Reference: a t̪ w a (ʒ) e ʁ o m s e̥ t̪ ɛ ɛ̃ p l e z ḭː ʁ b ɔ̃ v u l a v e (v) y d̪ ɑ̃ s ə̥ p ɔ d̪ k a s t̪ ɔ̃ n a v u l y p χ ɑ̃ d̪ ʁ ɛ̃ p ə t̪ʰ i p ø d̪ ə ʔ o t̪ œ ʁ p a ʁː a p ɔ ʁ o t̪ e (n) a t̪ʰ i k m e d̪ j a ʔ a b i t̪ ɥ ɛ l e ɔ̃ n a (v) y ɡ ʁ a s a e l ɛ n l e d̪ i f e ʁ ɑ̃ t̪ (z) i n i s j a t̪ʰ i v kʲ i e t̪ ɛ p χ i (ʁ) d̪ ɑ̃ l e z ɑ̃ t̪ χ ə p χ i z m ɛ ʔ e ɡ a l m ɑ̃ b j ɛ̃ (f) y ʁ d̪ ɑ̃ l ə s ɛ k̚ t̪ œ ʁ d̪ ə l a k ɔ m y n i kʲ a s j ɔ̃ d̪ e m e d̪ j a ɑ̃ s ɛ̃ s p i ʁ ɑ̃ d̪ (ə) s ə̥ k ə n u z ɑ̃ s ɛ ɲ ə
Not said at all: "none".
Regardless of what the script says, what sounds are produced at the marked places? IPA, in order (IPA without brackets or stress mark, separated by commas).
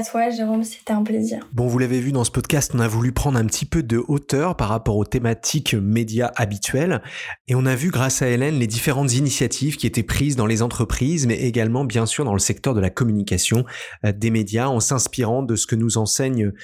ʒ, v, m, v, z, z, s, ə